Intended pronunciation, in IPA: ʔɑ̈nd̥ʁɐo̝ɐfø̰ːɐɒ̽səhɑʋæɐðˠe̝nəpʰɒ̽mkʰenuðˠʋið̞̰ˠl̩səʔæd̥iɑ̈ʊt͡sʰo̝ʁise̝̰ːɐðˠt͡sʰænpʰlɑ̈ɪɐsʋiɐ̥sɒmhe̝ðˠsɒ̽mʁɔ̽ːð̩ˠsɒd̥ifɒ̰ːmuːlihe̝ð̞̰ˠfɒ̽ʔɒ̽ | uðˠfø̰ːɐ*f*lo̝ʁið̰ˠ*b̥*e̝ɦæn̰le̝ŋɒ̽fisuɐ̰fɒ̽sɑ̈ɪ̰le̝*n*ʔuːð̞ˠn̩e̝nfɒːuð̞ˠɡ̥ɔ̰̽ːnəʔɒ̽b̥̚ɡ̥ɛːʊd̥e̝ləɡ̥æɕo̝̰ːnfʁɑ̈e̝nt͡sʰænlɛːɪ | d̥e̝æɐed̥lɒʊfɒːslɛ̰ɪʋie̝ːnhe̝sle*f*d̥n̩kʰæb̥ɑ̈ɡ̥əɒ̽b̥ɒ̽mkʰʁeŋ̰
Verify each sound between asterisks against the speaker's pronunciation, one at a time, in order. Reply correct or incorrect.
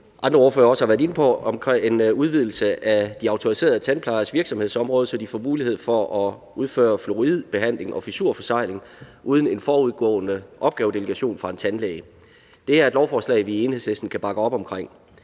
correct, correct, incorrect: ŋ, incorrect: s

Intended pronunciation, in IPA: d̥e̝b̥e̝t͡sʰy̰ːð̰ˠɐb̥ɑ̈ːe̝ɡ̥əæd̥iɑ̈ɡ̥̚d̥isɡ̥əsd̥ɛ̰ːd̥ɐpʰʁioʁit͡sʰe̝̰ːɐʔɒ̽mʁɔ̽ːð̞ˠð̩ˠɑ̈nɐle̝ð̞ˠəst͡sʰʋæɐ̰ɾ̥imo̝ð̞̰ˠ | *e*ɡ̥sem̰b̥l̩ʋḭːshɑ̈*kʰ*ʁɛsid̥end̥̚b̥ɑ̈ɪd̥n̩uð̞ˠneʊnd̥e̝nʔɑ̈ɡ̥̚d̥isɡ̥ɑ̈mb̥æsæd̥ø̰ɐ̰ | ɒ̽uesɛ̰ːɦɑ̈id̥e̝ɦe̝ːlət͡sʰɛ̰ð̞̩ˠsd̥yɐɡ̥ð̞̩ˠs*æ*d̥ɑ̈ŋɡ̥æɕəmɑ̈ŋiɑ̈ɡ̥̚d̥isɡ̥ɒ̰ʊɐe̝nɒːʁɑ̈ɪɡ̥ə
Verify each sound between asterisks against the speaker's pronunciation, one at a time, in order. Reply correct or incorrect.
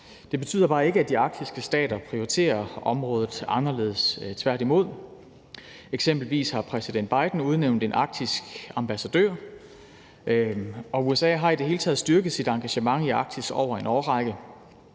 correct, incorrect: pʰ, incorrect: i

